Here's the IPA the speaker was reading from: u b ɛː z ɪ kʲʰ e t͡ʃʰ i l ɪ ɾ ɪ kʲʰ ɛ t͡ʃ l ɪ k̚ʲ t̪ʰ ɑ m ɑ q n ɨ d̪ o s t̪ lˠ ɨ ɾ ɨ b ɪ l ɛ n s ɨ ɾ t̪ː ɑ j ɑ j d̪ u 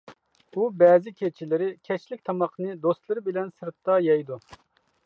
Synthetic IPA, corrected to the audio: u b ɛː z ɪ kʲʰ e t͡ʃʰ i l ɪ ɾ ɪ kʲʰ ɛ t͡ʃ l ɪ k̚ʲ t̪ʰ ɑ m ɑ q n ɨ d̪ o s t̪ lˠ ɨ ɾ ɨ b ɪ l ɛ n s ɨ ɾ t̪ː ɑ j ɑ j d̪ u